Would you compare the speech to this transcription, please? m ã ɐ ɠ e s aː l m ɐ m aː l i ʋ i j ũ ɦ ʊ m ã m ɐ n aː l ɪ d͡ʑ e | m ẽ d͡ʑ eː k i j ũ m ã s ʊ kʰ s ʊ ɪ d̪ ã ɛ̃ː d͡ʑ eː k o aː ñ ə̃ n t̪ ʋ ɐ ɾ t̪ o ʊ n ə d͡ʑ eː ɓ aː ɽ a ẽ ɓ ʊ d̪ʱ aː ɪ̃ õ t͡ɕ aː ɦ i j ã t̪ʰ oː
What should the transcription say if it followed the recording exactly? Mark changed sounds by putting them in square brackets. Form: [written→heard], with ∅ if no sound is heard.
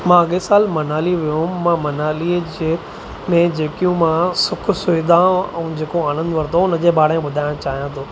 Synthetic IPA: m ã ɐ ɠ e s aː l m ɐ [m→n] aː l i ʋ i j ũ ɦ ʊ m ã m ɐ n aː l [ɪ→i] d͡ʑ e | m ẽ d͡ʑ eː k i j ũ m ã s ʊ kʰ s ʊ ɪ d̪ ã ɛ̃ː d͡ʑ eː k o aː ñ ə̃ n [t̪→d̪] ʋ ɐ ɾ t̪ o ʊ n ə d͡ʑ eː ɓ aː ɽ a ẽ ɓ ʊ d̪ʱ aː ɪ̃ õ t͡ɕ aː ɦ i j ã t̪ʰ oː